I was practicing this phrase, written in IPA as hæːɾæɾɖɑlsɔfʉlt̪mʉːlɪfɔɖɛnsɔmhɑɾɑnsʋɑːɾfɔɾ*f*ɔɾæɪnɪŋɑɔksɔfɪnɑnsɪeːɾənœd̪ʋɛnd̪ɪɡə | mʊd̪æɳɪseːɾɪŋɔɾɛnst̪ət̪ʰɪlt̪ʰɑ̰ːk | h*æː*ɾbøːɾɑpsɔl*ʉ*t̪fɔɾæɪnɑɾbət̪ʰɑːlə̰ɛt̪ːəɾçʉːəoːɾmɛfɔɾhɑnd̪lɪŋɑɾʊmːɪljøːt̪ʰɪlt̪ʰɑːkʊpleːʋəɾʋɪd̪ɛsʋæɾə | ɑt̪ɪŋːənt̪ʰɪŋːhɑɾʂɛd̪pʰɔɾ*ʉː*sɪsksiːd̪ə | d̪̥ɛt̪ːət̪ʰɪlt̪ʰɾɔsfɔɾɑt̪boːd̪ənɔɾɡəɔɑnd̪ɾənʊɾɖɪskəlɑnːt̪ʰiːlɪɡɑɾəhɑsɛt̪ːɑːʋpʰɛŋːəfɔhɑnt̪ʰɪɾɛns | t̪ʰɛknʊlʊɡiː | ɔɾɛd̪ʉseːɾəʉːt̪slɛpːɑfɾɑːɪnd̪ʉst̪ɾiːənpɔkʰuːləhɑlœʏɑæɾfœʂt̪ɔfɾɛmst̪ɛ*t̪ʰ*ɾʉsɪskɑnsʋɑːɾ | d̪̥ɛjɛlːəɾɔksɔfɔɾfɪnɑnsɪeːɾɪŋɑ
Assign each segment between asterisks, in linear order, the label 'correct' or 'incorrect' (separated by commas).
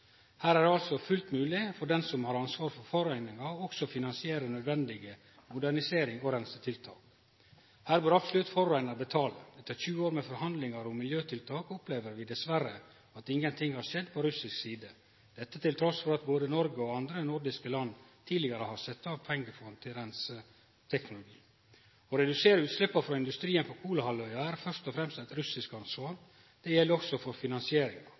correct, correct, correct, incorrect, incorrect